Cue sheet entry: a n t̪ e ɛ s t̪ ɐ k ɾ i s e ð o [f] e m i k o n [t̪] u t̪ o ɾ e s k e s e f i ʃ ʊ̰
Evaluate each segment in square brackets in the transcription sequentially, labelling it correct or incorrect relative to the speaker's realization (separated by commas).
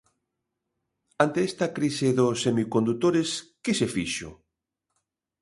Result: incorrect, incorrect